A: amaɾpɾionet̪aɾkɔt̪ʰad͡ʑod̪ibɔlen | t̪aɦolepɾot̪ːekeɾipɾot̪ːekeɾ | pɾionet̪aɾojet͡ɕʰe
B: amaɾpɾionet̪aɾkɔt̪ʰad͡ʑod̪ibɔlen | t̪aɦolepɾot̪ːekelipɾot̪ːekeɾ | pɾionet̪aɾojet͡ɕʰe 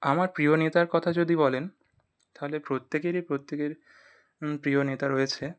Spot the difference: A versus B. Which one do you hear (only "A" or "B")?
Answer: A